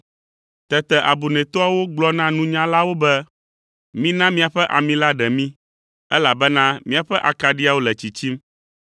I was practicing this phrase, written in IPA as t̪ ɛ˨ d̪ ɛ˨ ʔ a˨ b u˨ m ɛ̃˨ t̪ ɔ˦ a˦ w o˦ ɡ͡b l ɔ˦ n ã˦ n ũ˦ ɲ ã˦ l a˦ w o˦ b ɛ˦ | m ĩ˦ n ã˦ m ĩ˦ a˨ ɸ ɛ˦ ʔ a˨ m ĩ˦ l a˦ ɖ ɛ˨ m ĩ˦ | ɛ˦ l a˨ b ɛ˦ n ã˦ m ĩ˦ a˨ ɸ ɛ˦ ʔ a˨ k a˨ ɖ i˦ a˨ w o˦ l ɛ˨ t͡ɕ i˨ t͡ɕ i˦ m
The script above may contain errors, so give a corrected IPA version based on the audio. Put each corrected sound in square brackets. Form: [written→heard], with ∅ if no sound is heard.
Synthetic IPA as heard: t̪ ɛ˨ [d̪→t̪] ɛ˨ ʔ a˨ b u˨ [m→n] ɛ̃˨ t̪ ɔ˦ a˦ w o˦ ɡ͡b l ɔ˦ n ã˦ n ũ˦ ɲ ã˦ l a˦ w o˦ b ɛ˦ | m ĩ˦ n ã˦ m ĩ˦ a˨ ɸ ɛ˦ ʔ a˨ m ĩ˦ l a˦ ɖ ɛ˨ m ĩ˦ | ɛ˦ l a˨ b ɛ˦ n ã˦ m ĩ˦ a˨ ɸ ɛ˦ ʔ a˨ k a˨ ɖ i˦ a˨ w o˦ l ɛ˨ t͡ɕ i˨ t͡ɕ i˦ m

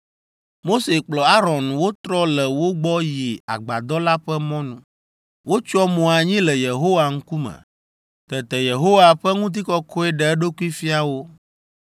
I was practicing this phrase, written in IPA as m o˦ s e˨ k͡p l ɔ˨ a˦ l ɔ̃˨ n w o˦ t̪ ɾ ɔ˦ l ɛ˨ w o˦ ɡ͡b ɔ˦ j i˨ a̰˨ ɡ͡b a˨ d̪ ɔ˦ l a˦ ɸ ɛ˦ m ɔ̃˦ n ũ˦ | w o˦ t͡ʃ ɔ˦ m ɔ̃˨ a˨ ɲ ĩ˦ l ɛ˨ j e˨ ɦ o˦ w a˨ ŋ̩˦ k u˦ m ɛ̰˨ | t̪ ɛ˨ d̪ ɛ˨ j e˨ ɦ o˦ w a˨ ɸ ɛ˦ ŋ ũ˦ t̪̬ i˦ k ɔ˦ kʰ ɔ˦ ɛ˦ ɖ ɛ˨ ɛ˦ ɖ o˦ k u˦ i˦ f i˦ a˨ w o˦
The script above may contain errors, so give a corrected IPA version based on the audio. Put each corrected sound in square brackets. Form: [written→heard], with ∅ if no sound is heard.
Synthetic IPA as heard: m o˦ s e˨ k͡p l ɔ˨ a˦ [l→ɾ] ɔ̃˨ n w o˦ t̪ ɾ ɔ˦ l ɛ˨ w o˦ ɡ͡b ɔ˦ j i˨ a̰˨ ɡ͡b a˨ d̪ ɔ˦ l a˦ ɸ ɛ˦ m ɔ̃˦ n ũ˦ | w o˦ t͡ʃ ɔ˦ m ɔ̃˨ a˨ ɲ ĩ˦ l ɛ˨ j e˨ ɦ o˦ w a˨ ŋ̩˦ k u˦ m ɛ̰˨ | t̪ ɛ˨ [d̪→t̪] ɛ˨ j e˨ ɦ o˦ w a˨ ɸ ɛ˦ ŋ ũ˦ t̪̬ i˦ k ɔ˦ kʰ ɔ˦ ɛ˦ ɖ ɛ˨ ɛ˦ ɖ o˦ k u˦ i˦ f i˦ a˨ w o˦

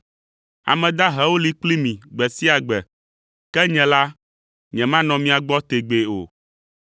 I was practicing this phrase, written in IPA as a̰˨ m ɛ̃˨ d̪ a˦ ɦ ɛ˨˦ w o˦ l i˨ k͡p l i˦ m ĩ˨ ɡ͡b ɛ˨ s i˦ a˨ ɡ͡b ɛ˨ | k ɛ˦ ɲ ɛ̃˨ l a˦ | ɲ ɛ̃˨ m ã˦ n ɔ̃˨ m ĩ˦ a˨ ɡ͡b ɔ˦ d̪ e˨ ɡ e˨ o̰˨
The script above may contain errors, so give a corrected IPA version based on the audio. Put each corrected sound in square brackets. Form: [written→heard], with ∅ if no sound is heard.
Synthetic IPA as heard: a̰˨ m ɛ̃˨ d̪ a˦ ɦ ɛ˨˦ w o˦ l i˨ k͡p l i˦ m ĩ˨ ɡ͡b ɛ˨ s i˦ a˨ ɡ͡b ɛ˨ | k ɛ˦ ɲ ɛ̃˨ l a˦ | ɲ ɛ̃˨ m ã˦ n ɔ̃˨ m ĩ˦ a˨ ɡ͡b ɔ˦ [d̪→t̪] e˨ [ɡ→ɡ͡b] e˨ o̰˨

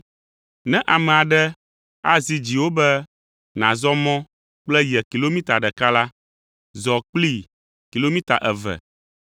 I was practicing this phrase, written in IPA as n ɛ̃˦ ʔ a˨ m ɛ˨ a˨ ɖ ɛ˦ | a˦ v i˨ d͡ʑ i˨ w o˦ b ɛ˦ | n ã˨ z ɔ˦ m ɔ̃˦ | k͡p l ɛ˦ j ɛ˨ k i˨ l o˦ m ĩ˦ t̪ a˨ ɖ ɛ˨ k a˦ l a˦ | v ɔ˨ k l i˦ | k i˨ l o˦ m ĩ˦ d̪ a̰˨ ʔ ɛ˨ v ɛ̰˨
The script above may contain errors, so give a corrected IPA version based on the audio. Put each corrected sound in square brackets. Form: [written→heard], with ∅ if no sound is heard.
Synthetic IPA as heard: n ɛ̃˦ ʔ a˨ m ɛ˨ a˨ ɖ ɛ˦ | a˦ [v→z] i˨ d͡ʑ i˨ w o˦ b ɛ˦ | n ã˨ z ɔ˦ m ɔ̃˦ | k͡p l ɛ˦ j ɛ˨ k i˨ l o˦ m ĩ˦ t̪ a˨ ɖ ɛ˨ k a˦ l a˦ | [v→z] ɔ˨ [k→k͡p] l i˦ | k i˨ l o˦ m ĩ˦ [d̪→t̪] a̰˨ ʔ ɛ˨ v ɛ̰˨

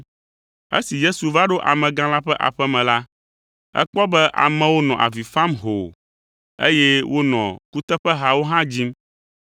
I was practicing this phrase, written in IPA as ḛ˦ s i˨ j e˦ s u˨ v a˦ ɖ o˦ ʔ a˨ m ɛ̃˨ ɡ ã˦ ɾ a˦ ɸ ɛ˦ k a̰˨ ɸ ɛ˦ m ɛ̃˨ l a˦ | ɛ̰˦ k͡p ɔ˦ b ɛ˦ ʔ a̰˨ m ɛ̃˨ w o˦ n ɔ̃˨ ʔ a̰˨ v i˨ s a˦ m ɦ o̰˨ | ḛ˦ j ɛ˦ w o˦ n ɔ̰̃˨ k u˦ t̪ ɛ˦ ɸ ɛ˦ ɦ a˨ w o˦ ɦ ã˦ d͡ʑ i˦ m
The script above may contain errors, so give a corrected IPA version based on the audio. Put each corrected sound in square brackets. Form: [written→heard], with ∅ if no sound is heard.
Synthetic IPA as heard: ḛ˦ s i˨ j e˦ s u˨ v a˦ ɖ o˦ ʔ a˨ m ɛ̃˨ ɡ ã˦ [ɾ→l] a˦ ɸ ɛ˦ [k→ʔ] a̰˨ ɸ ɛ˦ m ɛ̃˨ l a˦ | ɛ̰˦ k͡p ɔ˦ b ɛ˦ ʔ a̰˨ m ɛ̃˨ w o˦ n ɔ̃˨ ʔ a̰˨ v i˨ [s→f] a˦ m ɦ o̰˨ | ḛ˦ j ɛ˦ w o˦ n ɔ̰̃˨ k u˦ t̪ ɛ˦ ɸ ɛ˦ ɦ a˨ w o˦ ɦ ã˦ d͡ʑ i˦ m

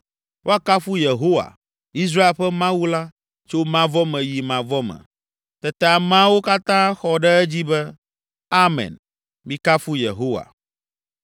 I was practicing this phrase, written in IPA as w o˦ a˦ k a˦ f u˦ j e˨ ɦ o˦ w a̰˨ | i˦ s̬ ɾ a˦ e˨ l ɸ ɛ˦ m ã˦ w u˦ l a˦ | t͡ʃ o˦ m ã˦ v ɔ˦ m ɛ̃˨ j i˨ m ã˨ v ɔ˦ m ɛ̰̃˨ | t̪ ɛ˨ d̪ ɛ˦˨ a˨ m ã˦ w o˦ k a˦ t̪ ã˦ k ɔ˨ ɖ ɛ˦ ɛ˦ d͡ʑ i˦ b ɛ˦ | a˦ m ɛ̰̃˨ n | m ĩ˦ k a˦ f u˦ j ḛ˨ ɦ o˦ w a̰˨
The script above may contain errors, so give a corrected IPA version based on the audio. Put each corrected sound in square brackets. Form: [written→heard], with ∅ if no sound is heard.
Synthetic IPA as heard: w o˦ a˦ k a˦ f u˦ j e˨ ɦ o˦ w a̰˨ | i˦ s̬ ɾ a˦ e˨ l ɸ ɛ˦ m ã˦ w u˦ l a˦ | t͡ʃ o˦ m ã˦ v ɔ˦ m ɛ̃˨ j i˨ m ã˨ v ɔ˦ m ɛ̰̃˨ | t̪ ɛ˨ [d̪→t̪] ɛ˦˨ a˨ m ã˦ w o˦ k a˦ t̪ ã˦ [k→x] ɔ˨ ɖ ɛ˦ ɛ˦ d͡ʑ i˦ b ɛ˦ | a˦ m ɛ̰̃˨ n | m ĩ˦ k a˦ f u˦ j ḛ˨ ɦ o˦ w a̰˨

